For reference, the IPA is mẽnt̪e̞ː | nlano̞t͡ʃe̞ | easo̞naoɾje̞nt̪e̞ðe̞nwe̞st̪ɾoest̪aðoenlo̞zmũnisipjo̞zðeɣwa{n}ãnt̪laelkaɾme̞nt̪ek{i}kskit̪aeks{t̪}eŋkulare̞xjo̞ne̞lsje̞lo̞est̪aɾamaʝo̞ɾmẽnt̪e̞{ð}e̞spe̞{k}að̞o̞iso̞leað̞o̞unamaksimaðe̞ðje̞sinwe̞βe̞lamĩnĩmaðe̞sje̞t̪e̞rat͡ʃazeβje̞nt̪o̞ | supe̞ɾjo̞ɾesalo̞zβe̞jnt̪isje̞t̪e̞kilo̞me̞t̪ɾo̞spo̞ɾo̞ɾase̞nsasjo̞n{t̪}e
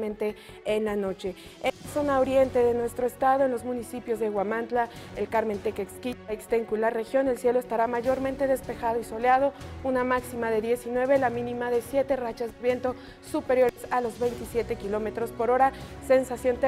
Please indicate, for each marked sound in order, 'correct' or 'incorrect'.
incorrect: m, incorrect: e, correct, correct, incorrect: x, correct

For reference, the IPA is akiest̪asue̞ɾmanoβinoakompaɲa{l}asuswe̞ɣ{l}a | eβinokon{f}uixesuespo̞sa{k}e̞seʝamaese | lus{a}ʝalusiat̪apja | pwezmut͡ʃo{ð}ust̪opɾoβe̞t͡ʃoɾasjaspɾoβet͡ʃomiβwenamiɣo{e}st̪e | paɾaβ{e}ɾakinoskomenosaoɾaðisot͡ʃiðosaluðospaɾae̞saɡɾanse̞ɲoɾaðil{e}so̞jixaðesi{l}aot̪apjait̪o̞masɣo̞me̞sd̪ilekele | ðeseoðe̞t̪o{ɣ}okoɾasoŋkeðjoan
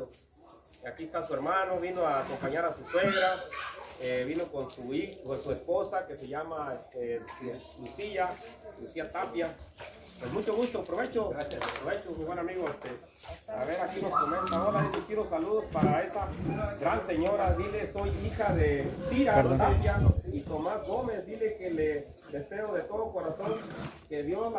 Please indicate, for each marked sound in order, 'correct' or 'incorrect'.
incorrect: ɾ, incorrect: ɾ, incorrect: s, correct, incorrect: i, incorrect: ɣ, correct, correct, correct, incorrect: ɾ, incorrect: ð

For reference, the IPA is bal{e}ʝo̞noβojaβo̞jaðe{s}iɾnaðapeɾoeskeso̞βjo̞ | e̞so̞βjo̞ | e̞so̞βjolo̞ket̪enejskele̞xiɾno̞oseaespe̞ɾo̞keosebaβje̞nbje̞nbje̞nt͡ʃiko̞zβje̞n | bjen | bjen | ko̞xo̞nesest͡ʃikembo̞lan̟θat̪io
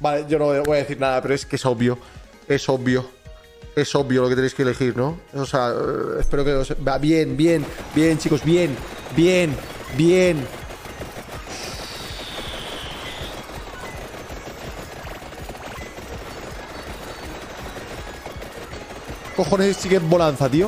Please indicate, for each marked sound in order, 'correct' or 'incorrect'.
correct, incorrect: θ

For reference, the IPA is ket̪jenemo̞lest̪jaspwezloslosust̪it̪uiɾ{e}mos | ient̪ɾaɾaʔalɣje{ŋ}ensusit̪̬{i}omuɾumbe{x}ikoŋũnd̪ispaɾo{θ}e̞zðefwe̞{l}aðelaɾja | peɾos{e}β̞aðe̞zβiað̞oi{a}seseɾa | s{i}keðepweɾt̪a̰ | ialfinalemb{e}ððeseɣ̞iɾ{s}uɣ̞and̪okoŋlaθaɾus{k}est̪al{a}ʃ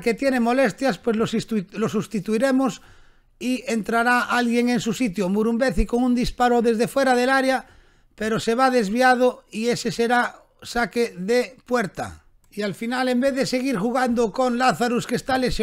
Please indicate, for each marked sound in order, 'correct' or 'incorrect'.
correct, correct, incorrect: j, incorrect: θ, incorrect: ð, incorrect: ɾ, correct, incorrect: e, incorrect: a, correct, incorrect: x, correct, incorrect: e

